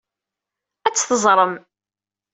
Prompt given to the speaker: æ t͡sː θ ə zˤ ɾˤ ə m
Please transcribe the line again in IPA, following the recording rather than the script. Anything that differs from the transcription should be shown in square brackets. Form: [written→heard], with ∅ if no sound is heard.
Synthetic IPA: æ t͡sː θ ə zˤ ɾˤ ə m